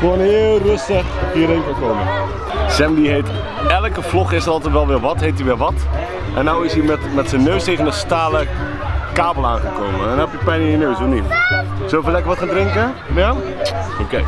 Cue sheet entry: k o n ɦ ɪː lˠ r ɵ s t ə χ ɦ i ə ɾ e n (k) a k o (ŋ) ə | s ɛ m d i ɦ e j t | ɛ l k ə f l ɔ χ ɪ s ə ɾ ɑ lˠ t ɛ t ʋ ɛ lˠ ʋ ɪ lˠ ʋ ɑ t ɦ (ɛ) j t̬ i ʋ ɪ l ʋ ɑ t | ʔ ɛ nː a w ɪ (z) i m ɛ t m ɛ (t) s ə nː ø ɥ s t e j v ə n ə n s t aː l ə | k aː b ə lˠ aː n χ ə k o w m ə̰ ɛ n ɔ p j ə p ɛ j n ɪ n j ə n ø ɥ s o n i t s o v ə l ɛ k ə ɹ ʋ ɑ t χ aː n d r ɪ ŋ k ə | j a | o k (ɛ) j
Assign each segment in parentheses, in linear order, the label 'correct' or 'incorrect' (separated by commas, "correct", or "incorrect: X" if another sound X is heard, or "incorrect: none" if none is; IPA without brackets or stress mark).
correct, incorrect: m, incorrect: e, incorrect: s, correct, incorrect: e